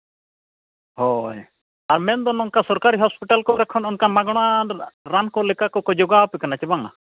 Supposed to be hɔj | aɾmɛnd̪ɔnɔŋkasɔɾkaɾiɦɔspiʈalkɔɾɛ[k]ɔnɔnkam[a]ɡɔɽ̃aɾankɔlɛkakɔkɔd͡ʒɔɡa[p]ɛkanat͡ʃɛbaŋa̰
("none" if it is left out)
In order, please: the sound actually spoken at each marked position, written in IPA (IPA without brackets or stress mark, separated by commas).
kʰ, a, p